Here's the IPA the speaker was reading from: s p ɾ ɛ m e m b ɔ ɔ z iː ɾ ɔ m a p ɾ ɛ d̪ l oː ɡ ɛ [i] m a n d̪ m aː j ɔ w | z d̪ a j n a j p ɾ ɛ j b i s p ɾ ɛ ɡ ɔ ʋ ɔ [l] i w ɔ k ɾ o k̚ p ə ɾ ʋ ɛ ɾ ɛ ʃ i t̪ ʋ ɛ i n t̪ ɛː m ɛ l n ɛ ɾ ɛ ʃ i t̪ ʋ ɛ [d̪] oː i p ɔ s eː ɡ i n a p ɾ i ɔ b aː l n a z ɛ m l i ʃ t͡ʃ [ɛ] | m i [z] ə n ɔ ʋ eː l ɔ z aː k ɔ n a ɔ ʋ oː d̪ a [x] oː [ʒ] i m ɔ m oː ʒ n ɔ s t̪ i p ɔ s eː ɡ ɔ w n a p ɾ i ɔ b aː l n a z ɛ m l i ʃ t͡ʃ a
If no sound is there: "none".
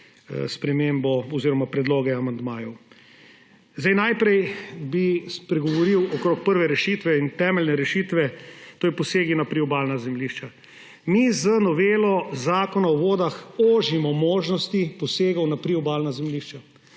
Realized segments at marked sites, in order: a, ɾ, t̪, a, z, x, ʒ

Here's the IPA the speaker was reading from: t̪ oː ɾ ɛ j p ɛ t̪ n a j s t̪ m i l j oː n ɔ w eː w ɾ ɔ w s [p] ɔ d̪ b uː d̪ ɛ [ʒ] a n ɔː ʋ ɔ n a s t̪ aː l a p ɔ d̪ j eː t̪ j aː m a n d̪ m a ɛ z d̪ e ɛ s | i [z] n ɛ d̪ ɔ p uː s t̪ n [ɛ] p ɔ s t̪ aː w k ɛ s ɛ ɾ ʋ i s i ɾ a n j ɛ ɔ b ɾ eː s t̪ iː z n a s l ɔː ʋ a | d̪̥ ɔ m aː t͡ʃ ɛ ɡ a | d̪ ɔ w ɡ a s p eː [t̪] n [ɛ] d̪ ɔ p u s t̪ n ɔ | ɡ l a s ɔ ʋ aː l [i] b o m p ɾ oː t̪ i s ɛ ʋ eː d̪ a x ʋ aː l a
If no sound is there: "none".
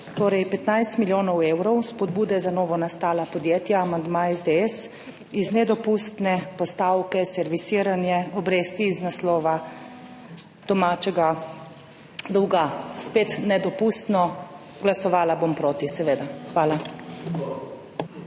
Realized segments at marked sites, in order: p, z, z, ɛ, t̪, ɛ, a

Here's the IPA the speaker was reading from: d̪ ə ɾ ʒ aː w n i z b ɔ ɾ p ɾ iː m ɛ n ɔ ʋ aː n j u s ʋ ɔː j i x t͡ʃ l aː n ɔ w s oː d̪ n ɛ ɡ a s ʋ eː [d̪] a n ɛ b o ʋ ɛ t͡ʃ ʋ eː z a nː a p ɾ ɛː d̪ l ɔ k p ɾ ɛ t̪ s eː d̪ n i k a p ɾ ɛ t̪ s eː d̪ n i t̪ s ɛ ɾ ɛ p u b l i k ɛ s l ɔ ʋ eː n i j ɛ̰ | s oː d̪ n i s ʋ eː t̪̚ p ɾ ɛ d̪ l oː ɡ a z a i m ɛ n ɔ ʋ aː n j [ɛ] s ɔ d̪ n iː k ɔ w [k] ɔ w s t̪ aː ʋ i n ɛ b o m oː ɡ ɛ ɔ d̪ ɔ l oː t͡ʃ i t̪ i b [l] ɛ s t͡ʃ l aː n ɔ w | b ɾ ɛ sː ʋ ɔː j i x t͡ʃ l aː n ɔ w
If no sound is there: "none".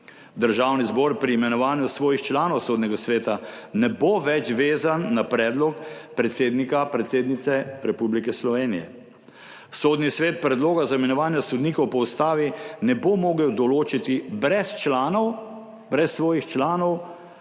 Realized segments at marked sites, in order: t̪, a, p, ɾ

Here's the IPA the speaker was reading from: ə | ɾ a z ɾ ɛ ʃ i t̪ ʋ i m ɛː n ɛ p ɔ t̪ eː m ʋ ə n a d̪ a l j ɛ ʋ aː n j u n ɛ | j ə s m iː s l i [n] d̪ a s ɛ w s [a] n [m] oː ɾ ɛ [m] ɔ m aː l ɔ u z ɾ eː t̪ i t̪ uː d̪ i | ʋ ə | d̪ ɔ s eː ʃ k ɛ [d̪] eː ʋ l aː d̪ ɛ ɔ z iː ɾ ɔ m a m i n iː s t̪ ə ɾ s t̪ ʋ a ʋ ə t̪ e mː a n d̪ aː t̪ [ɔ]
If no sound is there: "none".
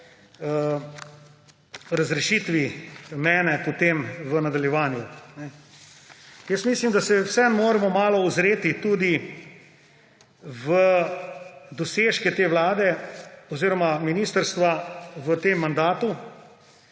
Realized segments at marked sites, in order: m, ɛ, m, m, t̪, u

